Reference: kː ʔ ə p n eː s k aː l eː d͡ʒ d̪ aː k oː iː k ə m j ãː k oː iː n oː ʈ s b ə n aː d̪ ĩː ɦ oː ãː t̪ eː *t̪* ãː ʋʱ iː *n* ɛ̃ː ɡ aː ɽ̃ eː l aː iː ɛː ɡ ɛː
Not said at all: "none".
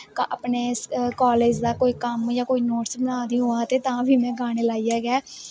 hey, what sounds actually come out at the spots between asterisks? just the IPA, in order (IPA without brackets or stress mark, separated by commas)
t̪, m